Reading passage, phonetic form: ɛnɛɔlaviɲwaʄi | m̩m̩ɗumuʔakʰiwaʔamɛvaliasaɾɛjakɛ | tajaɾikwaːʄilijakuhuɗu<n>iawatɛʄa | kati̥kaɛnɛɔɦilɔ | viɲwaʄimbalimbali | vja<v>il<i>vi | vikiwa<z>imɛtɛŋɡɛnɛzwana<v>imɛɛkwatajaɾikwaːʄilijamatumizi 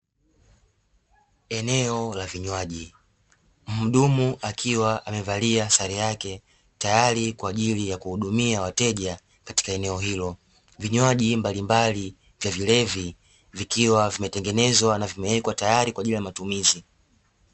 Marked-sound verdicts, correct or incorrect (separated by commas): incorrect, correct, incorrect, incorrect, correct